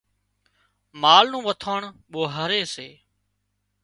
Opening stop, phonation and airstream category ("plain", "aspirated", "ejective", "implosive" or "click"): aspirated